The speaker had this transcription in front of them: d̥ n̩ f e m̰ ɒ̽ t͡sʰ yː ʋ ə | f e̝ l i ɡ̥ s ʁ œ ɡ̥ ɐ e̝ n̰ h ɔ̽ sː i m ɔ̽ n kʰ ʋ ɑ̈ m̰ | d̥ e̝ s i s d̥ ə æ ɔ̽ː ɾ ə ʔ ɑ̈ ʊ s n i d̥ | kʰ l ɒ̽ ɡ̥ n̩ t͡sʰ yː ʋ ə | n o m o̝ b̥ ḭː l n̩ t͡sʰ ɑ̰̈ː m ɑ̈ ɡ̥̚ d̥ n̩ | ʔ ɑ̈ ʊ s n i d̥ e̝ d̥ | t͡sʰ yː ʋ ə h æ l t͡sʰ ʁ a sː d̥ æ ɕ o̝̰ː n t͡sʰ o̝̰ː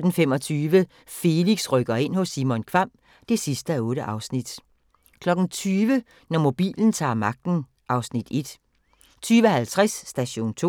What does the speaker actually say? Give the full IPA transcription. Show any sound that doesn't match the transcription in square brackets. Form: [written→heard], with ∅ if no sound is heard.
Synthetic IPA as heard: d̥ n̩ f e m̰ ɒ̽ t͡sʰ yː ʋ ə | f e̝ l i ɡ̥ s ʁ œ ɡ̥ ɐ e̝ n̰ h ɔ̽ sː i m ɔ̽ n kʰ ʋ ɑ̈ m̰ | d̥ e̝ s i s d̥ ə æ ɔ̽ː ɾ ə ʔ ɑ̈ ʊ s n i d̥ | kʰ l ɒ̽ ɡ̥ n̩ t͡sʰ yː ʋ ə | n [o→ɒ] m o̝ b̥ ḭː l n̩ t͡sʰ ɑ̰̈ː m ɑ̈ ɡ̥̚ d̥ n̩ | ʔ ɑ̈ ʊ s n i d̥ e̝ d̥ | t͡sʰ yː ʋ ə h æ l t͡sʰ ʁ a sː d̥ æ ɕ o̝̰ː n t͡sʰ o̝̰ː

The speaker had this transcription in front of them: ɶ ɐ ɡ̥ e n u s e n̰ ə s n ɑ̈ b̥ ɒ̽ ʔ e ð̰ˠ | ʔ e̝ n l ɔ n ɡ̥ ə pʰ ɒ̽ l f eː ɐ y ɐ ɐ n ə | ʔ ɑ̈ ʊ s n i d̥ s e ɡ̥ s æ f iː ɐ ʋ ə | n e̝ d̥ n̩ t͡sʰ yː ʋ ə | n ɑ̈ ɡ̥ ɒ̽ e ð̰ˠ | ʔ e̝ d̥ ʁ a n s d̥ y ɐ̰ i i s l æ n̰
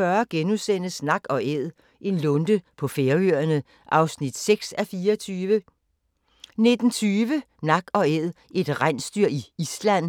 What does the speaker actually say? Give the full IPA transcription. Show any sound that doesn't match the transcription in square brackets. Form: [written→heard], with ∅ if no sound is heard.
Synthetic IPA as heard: ɶ ɐ ɡ̥ e n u s e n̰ ə s n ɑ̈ [b̥→ɡ̥] ɒ̽ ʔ e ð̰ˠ | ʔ e̝ n l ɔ n [ɡ̥→d̥] ə pʰ ɒ̽ [l→∅] f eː ɐ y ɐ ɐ n ə | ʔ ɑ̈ ʊ s n i d̥ s e ɡ̥ s æ f iː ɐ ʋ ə | n e̝ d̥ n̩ t͡sʰ yː ʋ ə | n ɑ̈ ɡ̥ ɒ̽ e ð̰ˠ | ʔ e̝ d̥ ʁ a n s d̥ y ɐ̰ i i s l æ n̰

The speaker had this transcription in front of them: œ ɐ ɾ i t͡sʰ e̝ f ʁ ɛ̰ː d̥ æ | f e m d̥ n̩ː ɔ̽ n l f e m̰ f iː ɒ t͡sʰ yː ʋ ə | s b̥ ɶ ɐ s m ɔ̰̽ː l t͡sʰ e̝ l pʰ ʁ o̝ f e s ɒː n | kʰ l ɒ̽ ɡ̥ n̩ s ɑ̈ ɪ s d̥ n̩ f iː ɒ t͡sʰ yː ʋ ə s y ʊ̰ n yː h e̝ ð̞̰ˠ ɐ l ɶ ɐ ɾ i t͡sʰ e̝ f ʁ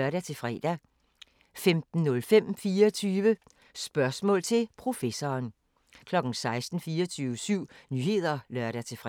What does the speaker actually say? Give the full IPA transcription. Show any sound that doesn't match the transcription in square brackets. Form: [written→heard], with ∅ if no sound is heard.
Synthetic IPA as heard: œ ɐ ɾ [i→æ] t͡sʰ e̝ f ʁ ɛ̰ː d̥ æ | f e m d̥ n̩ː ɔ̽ [n→∅] l f e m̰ f iː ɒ t͡sʰ yː ʋ ə | s b̥ ɶ ɐ s m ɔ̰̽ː l t͡sʰ e̝ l pʰ ʁ o̝ f e s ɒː n | kʰ l ɒ̽ ɡ̥ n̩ s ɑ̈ ɪ s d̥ n̩ f iː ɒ t͡sʰ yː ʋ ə s y ʊ̰ n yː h e̝ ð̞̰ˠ ɐ l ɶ ɐ ɾ [i→æ] t͡sʰ e̝ f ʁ

